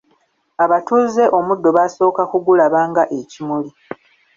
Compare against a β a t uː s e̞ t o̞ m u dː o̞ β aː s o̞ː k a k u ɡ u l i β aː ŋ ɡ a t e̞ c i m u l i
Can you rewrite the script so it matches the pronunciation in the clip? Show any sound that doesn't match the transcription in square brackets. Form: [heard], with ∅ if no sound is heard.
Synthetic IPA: a β a t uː [z] e̞ [ʔ] o̞ m u dː o̞ β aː s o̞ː k a k u ɡ u l [a] β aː ŋ ɡ a [ʔ] e̞ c i m u l i